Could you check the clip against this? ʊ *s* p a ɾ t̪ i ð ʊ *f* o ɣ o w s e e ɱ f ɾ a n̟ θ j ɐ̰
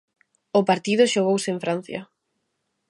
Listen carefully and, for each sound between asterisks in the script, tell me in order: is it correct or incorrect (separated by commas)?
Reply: incorrect, incorrect